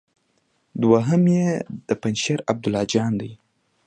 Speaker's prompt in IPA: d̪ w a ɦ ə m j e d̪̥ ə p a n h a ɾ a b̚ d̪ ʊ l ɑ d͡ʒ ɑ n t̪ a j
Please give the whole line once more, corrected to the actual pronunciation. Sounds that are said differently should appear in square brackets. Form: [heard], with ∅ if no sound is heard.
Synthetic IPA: d̪ w a ɦ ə m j e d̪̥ ə p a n [ʃ] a ɾ a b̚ d̪ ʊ l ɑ d͡ʒ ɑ n [d̪] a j